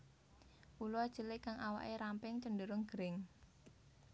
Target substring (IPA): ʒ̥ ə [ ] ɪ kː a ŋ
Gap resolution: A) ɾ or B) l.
B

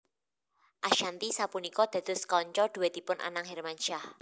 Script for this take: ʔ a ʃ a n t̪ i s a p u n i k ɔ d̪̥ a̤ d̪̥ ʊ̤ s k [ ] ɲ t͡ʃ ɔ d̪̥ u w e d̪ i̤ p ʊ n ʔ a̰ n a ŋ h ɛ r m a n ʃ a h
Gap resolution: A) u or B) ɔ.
B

